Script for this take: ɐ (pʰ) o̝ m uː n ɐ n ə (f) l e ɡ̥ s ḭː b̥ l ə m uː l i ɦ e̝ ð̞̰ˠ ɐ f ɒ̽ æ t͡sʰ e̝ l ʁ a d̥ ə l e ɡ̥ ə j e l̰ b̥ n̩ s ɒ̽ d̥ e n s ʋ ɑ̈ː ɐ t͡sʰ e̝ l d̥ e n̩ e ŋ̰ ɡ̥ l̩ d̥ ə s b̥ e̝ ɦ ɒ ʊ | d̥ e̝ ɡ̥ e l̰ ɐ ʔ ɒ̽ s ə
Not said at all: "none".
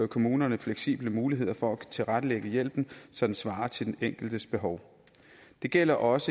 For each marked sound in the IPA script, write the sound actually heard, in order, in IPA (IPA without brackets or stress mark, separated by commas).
kʰ, f